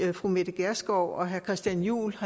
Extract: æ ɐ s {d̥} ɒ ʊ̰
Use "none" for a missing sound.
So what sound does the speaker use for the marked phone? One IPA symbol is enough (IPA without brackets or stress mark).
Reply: ɡ̥